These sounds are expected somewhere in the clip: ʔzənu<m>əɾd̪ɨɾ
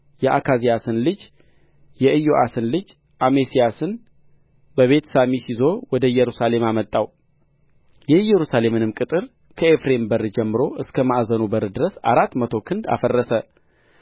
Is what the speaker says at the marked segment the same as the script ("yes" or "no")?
no